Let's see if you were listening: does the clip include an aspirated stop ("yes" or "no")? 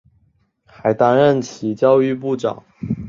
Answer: yes